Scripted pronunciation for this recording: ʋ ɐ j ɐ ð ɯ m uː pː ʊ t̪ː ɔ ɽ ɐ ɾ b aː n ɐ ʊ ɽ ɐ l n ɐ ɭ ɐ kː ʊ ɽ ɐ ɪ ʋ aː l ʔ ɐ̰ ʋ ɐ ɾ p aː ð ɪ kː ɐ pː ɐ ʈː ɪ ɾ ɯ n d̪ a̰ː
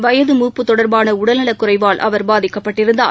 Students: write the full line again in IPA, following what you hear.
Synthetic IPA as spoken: ʋ ɐ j ɐ ð ɯ m uː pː ɯ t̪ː ɔ ɽ ɐ ɾ b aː n ɐ ʊ ɽ ɐ l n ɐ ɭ ɐ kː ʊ r ɐ ɪ ʋ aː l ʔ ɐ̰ ʋ ɐ ɾ b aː ð ɪ kː ɐ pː ɐ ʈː ɪ ɾ ɯ n d̪ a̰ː